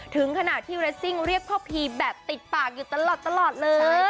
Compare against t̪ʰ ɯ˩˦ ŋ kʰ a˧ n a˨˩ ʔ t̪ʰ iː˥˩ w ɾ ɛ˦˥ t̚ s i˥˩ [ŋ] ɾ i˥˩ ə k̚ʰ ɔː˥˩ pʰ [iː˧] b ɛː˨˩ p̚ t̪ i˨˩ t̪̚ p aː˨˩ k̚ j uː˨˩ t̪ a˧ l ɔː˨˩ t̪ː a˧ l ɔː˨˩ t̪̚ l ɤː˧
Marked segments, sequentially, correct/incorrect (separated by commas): correct, correct